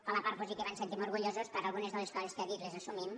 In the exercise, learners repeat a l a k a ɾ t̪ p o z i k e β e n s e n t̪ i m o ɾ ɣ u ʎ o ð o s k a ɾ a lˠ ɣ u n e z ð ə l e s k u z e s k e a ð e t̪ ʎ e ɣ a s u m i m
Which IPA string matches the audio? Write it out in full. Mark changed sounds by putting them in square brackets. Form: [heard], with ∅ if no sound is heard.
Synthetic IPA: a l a [p] a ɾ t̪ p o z i k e β [a] n s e n t̪ i m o ɾ ɣ u ʎ o [z] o s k a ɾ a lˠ ɣ u n e z ð ə l e s k [ɔ] z e s k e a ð [i] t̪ [l] e [z] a s u m i m